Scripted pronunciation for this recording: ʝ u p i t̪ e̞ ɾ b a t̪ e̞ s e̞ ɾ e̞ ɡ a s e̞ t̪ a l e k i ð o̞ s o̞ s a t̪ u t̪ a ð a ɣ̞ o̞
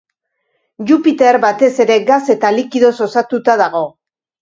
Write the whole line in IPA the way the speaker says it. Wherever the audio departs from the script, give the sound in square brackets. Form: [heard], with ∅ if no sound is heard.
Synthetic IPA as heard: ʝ u p i t̪ e̞ ɾ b a t̪ e̞ s e̞ ɾ e̞ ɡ a s e̞ t̪ a l [i] k i ð o̞ s o̞ s a t̪ u t̪ a ð a ɣ̞ o̞